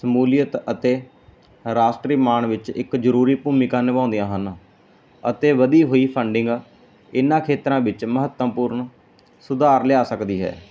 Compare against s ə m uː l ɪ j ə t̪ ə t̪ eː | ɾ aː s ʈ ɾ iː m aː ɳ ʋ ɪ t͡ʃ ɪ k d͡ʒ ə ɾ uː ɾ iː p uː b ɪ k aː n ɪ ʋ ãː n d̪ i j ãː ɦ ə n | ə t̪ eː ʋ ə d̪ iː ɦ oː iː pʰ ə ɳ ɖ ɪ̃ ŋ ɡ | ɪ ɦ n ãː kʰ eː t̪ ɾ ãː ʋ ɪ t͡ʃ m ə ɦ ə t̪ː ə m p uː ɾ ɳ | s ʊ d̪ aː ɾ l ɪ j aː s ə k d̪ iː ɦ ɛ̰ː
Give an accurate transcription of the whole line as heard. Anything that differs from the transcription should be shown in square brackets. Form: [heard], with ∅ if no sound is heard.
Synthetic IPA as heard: s ə m uː l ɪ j ə t̪ ə t̪ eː | ɾ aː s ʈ ɾ iː m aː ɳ ʋ ɪ t͡ʃ ɪ k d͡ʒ ə ɾ uː ɾ iː p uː [m] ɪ k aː n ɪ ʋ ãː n d̪ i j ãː ɦ ə n | ə t̪ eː ʋ ə d̪ iː ɦ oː iː pʰ ə ɳ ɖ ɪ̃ ŋ ɡ | ɪ [∅] n ãː kʰ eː t̪ ɾ ãː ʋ ɪ t͡ʃ m ə ɦ ə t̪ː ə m p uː ɾ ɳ | s ʊ d̪ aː ɾ l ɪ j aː s ə k d̪ iː ɦ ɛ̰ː

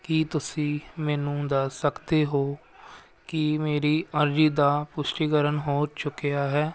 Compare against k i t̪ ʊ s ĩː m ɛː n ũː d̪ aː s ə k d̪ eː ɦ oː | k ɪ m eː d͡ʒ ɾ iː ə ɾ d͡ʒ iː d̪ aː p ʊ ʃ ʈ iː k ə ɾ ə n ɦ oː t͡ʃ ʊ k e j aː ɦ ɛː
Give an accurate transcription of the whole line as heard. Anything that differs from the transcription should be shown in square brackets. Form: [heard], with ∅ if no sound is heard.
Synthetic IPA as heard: k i t̪ ʊ s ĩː m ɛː n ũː d̪ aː s ə k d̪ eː ɦ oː | k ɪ m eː [∅] ɾ iː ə ɾ d͡ʒ iː d̪ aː p ʊ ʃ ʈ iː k ə ɾ ə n ɦ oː t͡ʃ ʊ k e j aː ɦ ɛː

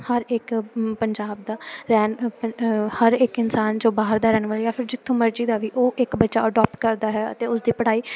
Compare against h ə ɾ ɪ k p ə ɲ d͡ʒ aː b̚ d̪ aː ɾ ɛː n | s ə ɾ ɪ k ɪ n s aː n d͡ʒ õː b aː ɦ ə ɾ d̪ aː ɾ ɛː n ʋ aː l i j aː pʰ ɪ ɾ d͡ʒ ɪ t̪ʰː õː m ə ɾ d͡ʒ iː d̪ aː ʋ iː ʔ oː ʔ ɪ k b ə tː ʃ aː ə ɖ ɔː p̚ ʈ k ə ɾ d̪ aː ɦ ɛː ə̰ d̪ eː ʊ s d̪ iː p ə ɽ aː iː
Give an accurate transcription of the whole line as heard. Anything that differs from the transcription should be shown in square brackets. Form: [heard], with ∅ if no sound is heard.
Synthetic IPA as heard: h ə ɾ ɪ k p ə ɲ d͡ʒ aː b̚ d̪ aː ɾ ɛː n | [h] ə ɾ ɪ k ɪ n s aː n d͡ʒ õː b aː ɦ ə ɾ d̪ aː ɾ ɛː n ʋ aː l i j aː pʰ ɪ ɾ d͡ʒ ɪ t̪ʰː õː m ə ɾ d͡ʒ iː d̪ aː ʋ iː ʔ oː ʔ ɪ k b ə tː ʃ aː ə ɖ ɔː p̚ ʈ k ə ɾ d̪ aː ɦ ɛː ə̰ [t̪] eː ʊ s d̪ iː p ə ɽ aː iː

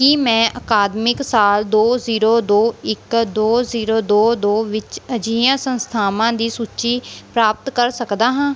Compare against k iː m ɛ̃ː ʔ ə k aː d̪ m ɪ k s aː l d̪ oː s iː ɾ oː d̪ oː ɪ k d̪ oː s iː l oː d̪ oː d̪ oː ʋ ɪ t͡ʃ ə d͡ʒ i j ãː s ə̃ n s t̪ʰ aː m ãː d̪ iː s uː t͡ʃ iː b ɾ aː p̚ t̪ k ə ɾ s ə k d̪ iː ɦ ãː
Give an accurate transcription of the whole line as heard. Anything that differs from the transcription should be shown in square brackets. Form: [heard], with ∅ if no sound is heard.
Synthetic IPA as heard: k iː m ɛ̃ː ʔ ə k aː d̪ m ɪ k s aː l d̪ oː [z] iː ɾ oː d̪ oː ɪ k d̪ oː [z] iː [ɾ] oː d̪ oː d̪ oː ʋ ɪ t͡ʃ ə d͡ʒ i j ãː s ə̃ n s t̪ʰ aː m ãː d̪ iː s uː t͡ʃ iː [p] ɾ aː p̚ t̪ k ə ɾ s ə k d̪ [aː] ɦ ãː

